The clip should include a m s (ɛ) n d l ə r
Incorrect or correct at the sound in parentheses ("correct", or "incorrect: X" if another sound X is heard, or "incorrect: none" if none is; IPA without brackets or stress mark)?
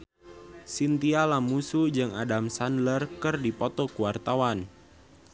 incorrect: a